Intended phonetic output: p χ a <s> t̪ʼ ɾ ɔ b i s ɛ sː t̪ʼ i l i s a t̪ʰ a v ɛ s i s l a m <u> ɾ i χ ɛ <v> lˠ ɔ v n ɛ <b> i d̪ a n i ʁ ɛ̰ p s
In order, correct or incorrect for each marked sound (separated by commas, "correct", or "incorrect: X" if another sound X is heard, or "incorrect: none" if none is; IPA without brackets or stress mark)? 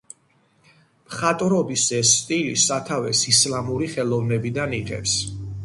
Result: incorrect: none, correct, incorrect: none, correct